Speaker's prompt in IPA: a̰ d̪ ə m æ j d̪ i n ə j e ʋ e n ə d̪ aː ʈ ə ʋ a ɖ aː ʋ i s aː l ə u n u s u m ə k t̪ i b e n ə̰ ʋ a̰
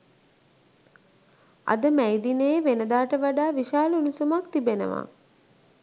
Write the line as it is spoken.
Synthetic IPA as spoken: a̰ d̪ ə m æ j d̪ i n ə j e ʋ e n ə d̪ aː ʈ ə ʋ a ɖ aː ʋ i ʃ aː l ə u n u s u m a k t̪ i b e n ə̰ ʋ a̰